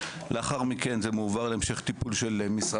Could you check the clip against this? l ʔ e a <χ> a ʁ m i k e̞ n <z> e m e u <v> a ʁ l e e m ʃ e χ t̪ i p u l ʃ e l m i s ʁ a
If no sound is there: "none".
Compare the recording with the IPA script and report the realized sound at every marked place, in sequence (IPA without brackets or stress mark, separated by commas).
χ, z, v